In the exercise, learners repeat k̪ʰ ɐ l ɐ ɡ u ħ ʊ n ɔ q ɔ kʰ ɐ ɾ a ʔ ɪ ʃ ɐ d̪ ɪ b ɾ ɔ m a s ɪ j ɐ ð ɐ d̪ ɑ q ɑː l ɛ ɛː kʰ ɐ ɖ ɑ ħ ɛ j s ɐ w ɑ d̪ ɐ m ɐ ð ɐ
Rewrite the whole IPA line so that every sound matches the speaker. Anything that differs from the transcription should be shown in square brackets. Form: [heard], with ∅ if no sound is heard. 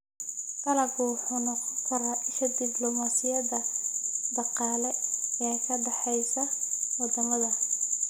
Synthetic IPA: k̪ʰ ɐ l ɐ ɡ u ħ ʊ n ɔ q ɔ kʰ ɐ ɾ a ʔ ɪ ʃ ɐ d̪ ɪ b [l] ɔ m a s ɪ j ɐ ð ɐ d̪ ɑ q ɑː l ɛ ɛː kʰ ɐ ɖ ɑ ħ ɛ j s ɐ w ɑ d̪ ɐ m ɐ ð ɐ

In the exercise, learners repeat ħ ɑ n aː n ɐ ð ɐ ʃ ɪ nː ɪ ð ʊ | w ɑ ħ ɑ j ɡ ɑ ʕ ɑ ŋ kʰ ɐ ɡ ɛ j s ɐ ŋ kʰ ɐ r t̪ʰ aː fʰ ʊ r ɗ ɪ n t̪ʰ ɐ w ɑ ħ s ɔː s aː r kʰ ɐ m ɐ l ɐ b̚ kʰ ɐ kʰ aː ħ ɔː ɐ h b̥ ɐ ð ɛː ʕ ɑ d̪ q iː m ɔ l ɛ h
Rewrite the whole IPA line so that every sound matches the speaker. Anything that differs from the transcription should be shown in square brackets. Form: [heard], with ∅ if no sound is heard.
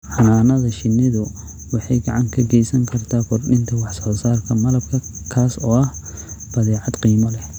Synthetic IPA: ħ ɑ n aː n ɐ ð ɐ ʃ ɪ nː ɪ ð ʊ | w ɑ ħ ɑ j ɡ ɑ ʕ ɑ ŋ kʰ ɐ ɡ ɛ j s ɐ ŋ kʰ ɐ r t̪ʰ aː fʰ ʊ r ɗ ɪ n t̪ʰ ɐ w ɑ ħ s ɔː s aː r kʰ ɐ m ɐ l ɐ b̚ kʰ ɐ kʰ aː [s] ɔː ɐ h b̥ ɐ ð ɛː ʕ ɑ d̪ q iː m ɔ l ɛ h

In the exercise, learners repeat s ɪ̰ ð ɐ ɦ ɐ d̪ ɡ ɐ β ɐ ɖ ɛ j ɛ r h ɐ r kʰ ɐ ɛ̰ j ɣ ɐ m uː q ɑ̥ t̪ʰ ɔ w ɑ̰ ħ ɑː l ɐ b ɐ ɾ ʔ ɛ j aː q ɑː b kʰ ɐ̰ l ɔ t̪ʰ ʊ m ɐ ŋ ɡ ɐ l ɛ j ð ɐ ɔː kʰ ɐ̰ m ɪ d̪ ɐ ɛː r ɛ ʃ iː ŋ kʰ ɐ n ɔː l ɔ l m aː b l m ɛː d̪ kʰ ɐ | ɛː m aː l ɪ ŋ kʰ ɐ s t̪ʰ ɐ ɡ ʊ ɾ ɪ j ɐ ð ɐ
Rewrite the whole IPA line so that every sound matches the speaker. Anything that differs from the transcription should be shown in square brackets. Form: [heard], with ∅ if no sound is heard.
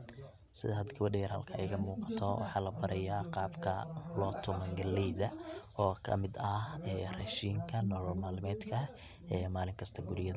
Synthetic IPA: s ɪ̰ ð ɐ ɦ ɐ d̪ ɡ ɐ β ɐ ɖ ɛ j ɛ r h ɐ [l] kʰ ɐ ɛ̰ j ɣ ɐ m uː q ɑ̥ t̪ʰ ɔ w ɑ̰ ħ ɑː l ɐ b ɐ ɾ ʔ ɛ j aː q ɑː b kʰ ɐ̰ l ɔ t̪ʰ ʊ m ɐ ŋ ɡ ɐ l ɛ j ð ɐ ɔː kʰ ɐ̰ m ɪ d̪ ɐ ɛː r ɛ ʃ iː ŋ kʰ ɐ n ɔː l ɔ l m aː [∅] l m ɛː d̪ kʰ ɐ | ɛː m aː l ɪ ŋ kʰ ɐ s t̪ʰ ɐ ɡ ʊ ɾ ɪ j ɐ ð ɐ

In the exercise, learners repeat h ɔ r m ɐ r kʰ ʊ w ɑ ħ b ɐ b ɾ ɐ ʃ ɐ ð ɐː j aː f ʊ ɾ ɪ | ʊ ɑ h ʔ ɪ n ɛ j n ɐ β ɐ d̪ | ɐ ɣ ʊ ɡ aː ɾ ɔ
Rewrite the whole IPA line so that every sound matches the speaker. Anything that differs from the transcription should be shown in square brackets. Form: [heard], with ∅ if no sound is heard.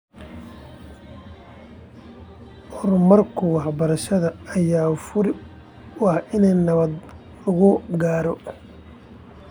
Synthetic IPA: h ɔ r m ɐ r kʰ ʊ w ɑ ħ b ɐ [∅] ɾ ɐ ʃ ɐ ð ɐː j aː f ʊ ɾ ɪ | ʊ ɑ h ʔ ɪ n ɛ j n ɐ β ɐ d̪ | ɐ ɣ ʊ ɡ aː ɾ ɔ

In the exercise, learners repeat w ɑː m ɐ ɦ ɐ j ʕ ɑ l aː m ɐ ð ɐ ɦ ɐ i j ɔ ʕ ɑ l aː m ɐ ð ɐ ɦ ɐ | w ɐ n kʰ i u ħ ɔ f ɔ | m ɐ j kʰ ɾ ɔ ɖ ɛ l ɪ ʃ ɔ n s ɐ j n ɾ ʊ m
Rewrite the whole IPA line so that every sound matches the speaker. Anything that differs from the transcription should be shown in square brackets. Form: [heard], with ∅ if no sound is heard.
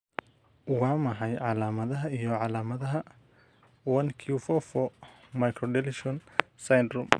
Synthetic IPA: w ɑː m ɐ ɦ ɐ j ʕ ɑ l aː m ɐ ð ɐ ɦ ɐ i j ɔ ʕ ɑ l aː m ɐ ð ɐ ɦ ɐ | w ɐ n kʰ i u [f] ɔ f ɔ | m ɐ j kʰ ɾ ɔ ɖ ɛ l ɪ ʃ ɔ n s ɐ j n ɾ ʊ m

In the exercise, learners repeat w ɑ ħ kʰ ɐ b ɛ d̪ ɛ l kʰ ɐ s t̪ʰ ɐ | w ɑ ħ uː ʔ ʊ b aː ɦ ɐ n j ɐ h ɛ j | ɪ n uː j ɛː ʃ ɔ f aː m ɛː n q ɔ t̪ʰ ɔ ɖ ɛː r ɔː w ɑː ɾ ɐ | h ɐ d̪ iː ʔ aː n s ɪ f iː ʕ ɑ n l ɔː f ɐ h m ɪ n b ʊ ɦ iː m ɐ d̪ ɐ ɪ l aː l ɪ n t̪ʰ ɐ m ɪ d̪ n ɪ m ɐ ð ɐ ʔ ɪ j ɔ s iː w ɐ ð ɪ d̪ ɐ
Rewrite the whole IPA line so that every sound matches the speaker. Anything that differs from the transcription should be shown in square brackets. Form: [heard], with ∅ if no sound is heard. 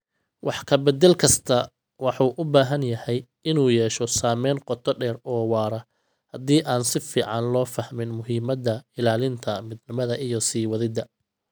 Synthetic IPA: w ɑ ħ kʰ ɐ b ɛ d̪ ɛ l kʰ ɐ s t̪ʰ ɐ | w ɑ ħ uː ʔ ʊ b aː ɦ ɐ n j ɐ h ɛ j | ɪ n uː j ɛː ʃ ɔ [s] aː m ɛː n q ɔ t̪ʰ ɔ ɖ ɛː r ɔː w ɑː ɾ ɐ | h ɐ d̪ iː ʔ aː n s ɪ f iː ʕ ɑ n l ɔː f ɐ h m ɪ n [m] ʊ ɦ iː m ɐ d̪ ɐ ɪ l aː l ɪ n t̪ʰ ɐ m ɪ d̪ n ɪ m ɐ ð ɐ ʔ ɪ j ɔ s iː w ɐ ð ɪ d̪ ɐ

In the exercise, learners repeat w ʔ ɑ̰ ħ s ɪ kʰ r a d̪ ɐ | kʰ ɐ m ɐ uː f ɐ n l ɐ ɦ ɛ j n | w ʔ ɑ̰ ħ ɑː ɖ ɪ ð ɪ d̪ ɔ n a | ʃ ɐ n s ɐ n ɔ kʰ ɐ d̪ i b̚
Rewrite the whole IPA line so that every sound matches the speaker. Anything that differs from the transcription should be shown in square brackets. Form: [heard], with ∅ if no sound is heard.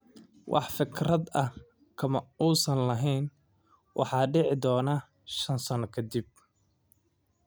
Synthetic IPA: w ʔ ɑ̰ ħ [f] ɪ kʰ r [ɐ] d̪ ɐ | kʰ ɐ m ɐ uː [s] ɐ n l ɐ ɦ ɛ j n | w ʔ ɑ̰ ħ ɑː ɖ ɪ [ʕ] ɪ d̪ [ɔː] n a | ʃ ɐ n s ɐ n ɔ kʰ ɐ d̪ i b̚

